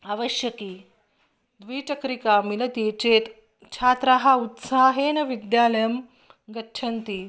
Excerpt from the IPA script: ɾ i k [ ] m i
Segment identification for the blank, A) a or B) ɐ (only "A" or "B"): A